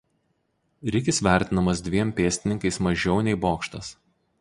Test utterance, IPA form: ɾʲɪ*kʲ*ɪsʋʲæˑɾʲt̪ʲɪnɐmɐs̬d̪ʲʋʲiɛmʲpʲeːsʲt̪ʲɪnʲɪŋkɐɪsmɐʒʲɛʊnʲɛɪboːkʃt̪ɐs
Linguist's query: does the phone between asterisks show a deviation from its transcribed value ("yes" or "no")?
no